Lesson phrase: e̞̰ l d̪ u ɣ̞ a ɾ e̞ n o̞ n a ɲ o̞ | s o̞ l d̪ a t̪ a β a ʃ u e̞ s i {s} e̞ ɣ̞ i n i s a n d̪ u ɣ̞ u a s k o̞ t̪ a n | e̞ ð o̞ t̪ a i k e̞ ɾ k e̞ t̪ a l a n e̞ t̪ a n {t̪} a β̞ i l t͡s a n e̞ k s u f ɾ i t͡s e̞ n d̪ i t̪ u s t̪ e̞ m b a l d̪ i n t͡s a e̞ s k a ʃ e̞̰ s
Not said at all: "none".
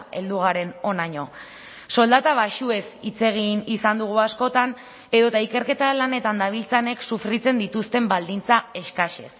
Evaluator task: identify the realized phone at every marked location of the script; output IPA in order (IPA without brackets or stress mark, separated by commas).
t͡s, d̪